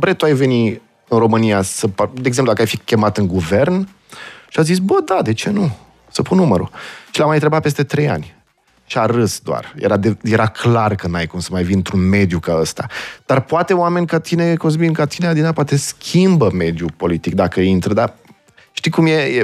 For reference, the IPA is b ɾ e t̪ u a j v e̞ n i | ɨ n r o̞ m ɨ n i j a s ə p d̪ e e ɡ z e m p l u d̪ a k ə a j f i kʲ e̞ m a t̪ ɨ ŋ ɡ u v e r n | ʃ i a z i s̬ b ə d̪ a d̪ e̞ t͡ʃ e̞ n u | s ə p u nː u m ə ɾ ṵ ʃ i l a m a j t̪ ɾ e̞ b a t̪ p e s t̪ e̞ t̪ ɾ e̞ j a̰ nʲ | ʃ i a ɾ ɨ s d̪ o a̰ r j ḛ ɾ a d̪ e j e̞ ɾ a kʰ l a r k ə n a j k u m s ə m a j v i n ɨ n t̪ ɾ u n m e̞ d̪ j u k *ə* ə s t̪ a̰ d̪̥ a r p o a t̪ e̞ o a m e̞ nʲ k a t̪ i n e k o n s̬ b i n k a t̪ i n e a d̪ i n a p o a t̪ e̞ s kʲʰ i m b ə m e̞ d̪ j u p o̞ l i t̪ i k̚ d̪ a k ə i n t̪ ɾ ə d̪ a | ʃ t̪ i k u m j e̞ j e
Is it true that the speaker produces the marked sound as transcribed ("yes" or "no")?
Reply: no